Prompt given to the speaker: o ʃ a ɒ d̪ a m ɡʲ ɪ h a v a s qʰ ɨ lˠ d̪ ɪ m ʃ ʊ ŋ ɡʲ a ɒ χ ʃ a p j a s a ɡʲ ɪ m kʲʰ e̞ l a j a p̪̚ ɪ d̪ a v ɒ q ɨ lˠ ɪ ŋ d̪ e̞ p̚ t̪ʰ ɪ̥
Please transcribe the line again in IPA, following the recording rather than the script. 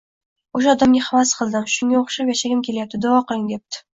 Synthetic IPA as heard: o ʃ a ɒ d̪ a m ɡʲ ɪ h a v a s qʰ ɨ lˠ d̪ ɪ m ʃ ʊ ŋ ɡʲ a o χ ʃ a p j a ʃ a ɡʲ ɪ m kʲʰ e̞ l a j a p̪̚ ɪ d̪ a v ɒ q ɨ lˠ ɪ ŋ d̪ e̞ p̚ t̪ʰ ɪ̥